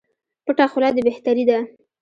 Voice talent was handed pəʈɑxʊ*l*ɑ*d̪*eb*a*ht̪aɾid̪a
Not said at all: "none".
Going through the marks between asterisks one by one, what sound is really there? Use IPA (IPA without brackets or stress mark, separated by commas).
l, d̪, e